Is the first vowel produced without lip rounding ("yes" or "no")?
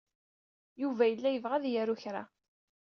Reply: no